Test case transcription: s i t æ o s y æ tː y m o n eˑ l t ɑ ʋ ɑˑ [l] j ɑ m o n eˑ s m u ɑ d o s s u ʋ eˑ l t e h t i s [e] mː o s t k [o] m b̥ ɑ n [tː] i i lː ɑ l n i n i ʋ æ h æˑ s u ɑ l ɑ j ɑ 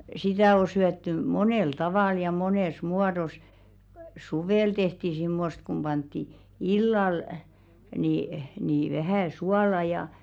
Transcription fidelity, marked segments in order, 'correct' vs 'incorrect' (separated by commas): correct, incorrect, incorrect, correct